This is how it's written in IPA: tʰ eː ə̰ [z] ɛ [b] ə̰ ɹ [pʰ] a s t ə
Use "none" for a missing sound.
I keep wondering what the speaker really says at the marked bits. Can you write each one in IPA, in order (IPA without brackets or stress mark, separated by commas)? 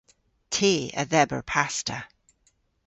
ð, b, pʰ